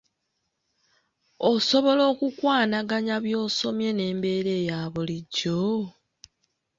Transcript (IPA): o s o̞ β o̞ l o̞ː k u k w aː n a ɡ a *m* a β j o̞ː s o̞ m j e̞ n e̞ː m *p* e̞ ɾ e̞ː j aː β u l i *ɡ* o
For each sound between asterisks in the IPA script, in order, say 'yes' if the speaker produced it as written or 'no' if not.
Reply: no, no, no

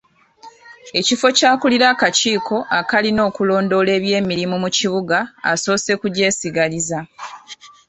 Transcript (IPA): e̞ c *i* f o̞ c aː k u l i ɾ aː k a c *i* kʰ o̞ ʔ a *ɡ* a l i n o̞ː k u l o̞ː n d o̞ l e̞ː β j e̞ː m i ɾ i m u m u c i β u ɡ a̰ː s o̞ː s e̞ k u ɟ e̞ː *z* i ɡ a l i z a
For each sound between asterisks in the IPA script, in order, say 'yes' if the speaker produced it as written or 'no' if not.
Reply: yes, no, no, no

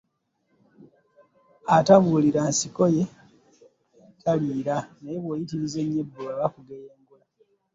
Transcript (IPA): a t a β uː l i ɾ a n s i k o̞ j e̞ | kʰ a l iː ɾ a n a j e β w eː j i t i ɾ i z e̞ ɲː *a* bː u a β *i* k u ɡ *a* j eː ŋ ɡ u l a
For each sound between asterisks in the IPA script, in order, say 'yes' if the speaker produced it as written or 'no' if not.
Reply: no, no, no

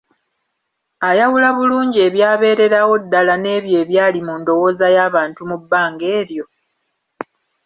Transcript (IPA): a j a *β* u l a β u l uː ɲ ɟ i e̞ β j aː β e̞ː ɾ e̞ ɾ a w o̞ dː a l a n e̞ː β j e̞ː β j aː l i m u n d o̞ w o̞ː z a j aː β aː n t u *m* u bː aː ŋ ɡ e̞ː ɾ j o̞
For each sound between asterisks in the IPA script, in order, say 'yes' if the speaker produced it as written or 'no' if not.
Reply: no, yes

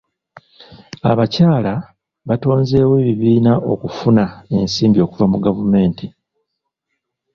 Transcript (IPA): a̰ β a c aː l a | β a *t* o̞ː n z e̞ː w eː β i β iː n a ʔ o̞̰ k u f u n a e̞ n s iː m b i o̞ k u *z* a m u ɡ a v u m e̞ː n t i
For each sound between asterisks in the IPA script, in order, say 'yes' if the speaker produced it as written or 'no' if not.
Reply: yes, no

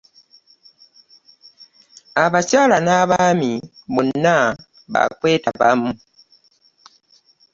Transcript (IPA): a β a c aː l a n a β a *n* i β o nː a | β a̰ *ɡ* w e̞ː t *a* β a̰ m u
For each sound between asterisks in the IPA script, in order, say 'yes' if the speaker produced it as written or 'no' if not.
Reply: no, no, yes

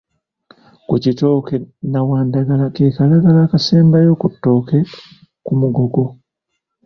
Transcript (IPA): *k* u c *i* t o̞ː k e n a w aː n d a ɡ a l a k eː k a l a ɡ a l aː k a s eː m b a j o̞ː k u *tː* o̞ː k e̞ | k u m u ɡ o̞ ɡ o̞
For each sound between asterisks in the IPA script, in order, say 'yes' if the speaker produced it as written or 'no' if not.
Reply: yes, yes, yes

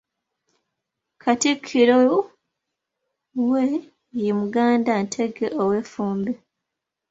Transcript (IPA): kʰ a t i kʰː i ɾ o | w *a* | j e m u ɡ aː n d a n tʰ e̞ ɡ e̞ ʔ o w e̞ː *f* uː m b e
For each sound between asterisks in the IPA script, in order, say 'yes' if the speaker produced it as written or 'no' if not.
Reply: no, yes

